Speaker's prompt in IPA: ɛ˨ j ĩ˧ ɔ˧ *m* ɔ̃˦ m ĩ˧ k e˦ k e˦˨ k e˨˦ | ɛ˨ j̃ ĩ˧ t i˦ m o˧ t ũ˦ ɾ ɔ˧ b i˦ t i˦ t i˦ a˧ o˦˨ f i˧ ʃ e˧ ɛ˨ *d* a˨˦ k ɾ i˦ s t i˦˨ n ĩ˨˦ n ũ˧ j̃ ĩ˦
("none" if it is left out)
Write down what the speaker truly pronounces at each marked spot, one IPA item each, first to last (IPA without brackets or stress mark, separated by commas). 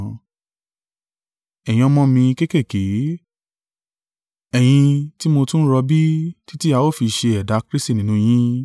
m, d